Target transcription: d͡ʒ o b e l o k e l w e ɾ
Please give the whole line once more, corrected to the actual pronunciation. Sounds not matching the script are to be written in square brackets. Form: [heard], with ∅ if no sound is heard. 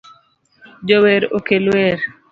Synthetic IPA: d͡ʒ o [w] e [ɾ] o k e l w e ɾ